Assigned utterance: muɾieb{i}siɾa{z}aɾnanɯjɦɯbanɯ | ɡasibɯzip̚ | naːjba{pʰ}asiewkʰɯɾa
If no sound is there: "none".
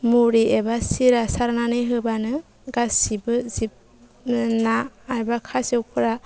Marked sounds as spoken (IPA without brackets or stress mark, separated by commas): a, s, kʰ